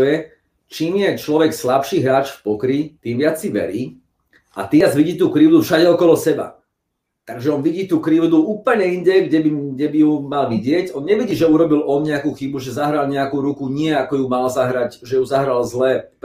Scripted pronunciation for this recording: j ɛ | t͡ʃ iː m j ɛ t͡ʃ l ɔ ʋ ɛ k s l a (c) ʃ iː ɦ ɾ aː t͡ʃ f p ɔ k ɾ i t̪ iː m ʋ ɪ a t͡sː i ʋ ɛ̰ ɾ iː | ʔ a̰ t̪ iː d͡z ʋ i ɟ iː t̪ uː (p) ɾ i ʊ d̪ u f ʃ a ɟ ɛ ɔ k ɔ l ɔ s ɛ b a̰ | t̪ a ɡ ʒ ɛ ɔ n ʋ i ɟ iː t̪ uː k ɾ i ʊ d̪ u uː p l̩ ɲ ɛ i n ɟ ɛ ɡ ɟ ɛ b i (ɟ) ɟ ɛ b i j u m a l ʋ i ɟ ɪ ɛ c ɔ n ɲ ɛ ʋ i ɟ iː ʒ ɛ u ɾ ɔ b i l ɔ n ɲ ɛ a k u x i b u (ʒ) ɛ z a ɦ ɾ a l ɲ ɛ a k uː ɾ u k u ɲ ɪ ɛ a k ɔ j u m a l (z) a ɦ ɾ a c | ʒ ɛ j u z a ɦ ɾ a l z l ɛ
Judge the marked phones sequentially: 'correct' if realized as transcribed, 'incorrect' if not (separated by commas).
incorrect, incorrect, incorrect, correct, correct